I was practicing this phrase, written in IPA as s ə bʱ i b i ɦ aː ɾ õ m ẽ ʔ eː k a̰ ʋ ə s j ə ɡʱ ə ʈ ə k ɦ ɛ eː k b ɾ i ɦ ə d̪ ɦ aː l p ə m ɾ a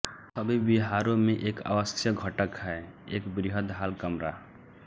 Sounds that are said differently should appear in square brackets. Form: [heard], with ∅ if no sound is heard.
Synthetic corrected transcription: s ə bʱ i b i ɦ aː ɾ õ m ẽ ʔ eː k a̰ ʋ ə s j ə ɡʱ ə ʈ ə k ɦ ɛ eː k b ɾ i ɦ ə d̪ ɦ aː l [k] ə m ɾ a